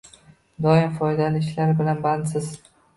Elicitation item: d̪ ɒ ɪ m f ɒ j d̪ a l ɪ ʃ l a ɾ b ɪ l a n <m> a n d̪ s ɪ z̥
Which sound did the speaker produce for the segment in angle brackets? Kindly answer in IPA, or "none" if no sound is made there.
b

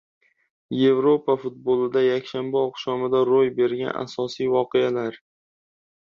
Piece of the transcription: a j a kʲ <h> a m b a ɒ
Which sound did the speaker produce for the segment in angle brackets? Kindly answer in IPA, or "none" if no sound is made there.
ʃ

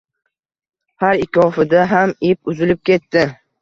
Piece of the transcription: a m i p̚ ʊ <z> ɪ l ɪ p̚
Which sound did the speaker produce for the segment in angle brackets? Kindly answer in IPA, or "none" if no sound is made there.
z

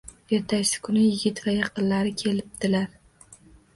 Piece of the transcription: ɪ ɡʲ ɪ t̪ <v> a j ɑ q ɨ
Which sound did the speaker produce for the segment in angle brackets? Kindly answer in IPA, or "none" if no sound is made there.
v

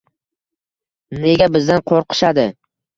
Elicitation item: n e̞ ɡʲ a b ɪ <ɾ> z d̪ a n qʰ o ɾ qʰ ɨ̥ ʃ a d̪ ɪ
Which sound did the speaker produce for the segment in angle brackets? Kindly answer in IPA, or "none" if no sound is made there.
none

